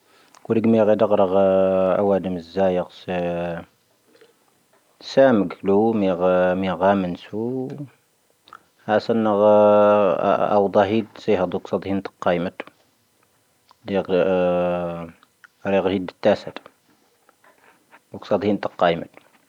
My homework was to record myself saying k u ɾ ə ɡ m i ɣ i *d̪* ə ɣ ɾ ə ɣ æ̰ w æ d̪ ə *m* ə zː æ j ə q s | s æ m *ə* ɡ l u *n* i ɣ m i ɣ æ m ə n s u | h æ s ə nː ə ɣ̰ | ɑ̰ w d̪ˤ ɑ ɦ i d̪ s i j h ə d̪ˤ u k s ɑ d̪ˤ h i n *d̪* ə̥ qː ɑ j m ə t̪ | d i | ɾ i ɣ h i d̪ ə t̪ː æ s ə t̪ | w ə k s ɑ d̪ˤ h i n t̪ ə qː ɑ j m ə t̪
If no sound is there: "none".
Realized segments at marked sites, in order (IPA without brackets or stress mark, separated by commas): d̪, m, ə, m, t̪